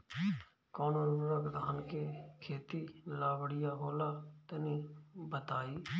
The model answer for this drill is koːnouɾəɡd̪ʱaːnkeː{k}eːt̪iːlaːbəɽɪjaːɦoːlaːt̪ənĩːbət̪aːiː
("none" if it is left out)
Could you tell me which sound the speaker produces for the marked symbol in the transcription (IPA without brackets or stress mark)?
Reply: kʰ